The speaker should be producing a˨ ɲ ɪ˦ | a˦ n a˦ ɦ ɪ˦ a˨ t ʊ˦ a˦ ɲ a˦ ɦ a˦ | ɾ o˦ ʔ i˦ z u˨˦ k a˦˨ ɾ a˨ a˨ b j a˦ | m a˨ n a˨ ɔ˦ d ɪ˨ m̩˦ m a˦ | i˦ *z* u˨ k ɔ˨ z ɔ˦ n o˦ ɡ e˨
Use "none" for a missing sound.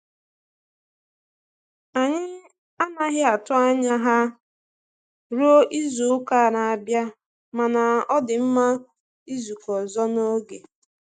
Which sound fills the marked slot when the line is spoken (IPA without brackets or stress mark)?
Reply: z